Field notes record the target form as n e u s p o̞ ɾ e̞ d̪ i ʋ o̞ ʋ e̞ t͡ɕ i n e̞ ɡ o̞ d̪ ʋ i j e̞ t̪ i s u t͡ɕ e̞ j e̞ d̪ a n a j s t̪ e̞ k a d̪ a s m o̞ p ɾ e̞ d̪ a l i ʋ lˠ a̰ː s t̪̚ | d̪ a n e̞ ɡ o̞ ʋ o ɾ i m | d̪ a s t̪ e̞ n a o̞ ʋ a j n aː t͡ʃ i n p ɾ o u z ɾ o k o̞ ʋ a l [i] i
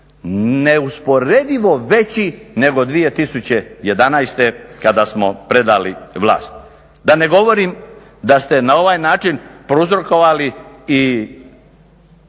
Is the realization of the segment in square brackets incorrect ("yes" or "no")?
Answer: no